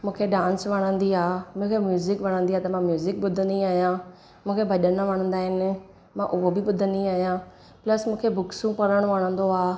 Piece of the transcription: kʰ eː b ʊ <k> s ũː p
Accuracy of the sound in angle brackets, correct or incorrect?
correct